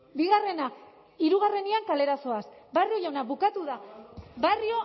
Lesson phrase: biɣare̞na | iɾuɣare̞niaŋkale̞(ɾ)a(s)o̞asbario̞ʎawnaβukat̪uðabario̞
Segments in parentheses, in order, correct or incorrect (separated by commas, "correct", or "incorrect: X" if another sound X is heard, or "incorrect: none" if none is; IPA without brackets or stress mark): correct, correct